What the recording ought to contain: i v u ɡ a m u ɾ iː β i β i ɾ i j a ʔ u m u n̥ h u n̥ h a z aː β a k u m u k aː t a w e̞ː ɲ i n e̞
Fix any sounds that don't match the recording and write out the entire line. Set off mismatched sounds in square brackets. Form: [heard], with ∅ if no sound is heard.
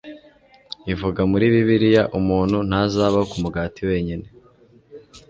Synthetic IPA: i v u ɡ a m u ɾ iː β i β i ɾ i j a ʔ u m [uː] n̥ h u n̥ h a z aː β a k u m u [ɡ] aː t [i] w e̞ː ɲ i n e̞